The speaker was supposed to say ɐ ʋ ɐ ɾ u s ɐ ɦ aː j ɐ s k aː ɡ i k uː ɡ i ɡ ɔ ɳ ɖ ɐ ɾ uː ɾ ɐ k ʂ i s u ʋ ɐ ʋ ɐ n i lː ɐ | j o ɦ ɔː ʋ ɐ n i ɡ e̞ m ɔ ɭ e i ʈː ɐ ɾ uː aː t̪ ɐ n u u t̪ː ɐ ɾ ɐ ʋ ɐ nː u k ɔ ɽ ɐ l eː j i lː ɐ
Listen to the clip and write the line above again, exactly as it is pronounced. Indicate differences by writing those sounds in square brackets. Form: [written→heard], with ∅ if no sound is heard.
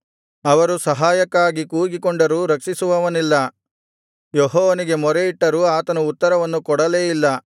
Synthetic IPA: ɐ ʋ ɐ ɾ u s ɐ ɦ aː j ɐ [s→∅] k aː ɡ i k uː ɡ i [ɡ→k] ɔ ɳ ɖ ɐ ɾ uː ɾ ɐ k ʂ i s u ʋ ɐ ʋ ɐ n i lː ɐ | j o ɦ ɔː ʋ ɐ n i ɡ e̞ m ɔ [ɭ→ɾ] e i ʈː ɐ ɾ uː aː t̪ ɐ n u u t̪ː ɐ ɾ ɐ ʋ ɐ nː u k ɔ ɽ ɐ l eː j i lː ɐ